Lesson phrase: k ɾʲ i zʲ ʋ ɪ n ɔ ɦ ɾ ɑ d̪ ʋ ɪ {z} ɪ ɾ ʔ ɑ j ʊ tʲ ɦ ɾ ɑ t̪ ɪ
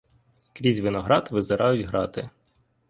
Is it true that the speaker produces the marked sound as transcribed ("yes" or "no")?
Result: yes